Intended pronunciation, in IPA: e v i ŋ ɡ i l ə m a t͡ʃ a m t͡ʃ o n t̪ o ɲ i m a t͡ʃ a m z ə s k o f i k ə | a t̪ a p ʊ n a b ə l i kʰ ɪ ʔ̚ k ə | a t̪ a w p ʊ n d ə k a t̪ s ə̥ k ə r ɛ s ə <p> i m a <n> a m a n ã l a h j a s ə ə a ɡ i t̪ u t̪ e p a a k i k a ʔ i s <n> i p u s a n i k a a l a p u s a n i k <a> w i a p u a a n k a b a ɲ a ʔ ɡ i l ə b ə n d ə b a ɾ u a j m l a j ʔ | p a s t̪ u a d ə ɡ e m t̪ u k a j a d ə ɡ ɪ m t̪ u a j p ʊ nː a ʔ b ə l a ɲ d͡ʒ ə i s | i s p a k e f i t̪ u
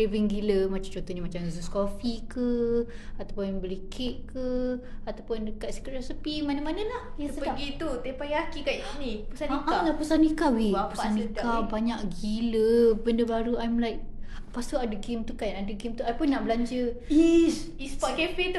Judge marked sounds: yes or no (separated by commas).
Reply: yes, yes, yes, yes